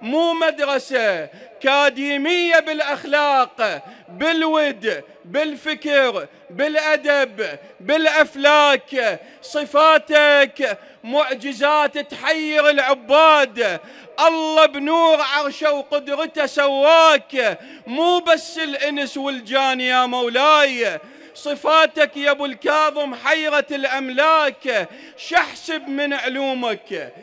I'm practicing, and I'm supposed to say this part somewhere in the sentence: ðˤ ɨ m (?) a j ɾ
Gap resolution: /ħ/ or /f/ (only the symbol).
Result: ħ